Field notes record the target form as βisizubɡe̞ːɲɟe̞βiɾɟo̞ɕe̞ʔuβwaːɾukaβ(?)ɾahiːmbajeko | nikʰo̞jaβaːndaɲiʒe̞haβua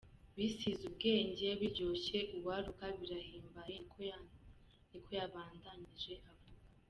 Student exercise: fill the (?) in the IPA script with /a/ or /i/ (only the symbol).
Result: i